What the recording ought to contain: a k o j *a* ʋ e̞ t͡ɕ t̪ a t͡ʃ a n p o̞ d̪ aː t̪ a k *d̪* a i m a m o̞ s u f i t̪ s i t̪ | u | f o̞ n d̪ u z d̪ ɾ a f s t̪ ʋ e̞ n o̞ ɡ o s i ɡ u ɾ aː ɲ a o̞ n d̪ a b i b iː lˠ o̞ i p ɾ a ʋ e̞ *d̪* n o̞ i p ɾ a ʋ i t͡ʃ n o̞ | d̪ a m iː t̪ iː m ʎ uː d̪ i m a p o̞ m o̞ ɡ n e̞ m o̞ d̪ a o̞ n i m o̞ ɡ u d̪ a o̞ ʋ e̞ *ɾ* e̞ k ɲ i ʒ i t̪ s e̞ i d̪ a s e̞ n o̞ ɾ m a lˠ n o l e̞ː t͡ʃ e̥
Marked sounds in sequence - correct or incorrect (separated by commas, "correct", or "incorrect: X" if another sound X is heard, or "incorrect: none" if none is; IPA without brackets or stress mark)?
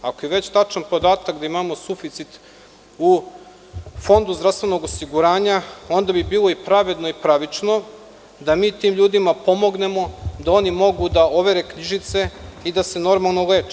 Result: incorrect: e, correct, correct, correct